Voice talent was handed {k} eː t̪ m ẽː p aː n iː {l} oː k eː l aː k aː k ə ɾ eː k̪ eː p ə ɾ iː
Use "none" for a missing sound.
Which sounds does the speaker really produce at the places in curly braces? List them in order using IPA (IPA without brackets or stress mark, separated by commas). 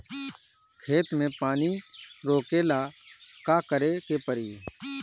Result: kʰ, ɾ